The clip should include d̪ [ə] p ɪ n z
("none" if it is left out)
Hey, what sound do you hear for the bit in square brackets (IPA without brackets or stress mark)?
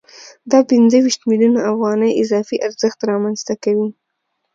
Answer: ɑ